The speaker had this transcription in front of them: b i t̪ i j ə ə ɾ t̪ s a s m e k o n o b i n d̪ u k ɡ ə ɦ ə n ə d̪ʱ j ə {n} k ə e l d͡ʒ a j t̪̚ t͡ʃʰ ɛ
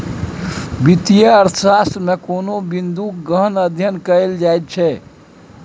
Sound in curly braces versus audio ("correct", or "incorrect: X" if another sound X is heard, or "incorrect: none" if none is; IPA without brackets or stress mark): correct